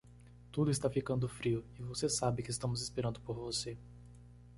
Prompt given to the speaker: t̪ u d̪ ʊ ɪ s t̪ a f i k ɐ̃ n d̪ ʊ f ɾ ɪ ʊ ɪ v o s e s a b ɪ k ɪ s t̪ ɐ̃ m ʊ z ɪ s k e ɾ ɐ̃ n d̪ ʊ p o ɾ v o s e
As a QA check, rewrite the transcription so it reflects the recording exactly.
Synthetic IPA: t̪ u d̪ ʊ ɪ s t̪ a f i k ɐ̃ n d̪ ʊ f ɾ i ʊ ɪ v o s e s a b ɪ k ɪ s t̪ ɐ̃ m ʊ z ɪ s p e ɾ ɐ̃ n d̪ ʊ p o ɾ v o s e